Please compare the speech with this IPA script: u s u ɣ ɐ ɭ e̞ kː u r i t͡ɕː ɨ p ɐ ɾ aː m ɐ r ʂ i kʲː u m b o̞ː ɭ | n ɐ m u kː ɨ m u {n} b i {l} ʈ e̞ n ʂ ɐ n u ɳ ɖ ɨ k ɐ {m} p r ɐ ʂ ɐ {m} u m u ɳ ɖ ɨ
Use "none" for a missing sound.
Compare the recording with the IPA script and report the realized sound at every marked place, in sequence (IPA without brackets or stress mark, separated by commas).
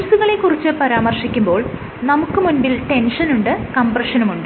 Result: n, l, m, n